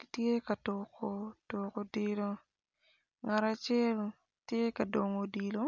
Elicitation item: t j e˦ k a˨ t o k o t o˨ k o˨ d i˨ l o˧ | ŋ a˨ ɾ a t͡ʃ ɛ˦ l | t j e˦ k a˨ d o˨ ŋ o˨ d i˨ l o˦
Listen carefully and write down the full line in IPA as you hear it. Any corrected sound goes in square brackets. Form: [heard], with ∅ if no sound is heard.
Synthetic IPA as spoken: t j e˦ k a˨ t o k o t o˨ k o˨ d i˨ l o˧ | ŋ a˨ ɾ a t͡ʃ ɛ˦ l | t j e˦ k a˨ d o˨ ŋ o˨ d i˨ l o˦